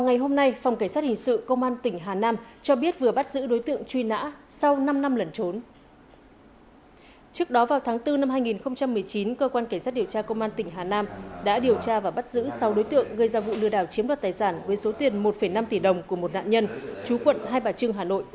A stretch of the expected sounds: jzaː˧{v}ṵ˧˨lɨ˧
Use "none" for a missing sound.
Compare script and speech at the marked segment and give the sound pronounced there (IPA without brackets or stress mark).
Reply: v